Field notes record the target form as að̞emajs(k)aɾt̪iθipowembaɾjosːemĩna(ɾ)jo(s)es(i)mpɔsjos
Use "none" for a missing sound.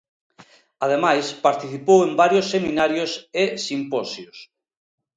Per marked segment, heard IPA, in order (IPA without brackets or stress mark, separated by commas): p, ɾ, s, i